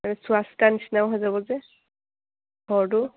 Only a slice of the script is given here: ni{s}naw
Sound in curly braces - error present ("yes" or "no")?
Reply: no